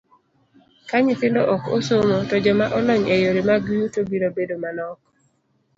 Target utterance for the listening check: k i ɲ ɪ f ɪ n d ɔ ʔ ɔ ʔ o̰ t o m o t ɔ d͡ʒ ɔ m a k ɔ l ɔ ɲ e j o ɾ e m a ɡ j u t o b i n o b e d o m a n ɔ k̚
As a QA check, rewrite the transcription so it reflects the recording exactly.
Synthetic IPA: k a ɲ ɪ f ɪ n d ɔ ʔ ɔ k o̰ s o m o t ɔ d͡ʒ ɔ m a ʔ ɔ l ɔ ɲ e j o ɾ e m a ɡ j u t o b i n o b e d o m a n ɔ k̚

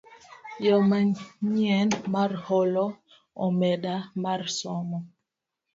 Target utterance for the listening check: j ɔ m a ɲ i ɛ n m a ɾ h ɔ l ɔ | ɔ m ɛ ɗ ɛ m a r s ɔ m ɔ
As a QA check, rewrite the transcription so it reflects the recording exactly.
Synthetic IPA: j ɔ m a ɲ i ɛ n m a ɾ h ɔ l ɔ | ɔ m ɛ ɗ a m a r s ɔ m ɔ

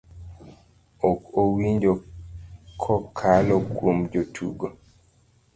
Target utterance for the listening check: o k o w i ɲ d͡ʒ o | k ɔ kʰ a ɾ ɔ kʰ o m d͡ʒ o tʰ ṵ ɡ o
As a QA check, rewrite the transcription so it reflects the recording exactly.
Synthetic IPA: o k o w i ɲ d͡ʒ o | kʰ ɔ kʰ a l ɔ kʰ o m d͡ʒ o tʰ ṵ ɡ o

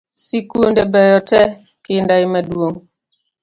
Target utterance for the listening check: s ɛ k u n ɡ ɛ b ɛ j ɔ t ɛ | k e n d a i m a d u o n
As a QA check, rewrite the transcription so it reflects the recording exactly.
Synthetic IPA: s i k u n d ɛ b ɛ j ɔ t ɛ | k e n d a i m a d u o ŋ

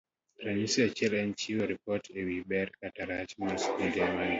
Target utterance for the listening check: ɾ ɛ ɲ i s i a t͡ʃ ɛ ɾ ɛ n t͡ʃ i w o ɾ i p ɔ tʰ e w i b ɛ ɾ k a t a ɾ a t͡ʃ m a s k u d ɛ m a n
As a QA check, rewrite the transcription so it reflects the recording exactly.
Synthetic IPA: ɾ a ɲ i s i a t͡ʃ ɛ l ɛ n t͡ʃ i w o ɾ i p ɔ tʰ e w i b ɛ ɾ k a t a ɾ a t͡ʃ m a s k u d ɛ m a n

